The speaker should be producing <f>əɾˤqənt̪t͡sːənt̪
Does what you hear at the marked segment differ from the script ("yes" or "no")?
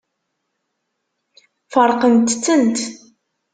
no